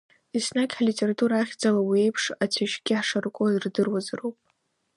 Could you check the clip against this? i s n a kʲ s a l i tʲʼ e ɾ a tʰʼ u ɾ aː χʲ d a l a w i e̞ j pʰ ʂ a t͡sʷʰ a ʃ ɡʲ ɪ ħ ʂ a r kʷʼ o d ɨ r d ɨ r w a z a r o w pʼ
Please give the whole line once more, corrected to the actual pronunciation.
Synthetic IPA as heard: i s n a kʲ ħ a l i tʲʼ e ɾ a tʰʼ u ɾ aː χʲ d͡z a l a w i e̞ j pʰ ʂ a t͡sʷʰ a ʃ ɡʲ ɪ ħ ʂ a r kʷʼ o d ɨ r d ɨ r w a z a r o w pʼ